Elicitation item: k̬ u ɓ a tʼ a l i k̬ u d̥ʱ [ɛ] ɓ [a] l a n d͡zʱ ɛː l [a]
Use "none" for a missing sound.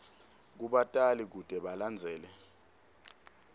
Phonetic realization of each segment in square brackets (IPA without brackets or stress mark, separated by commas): ɛ, a, ɛ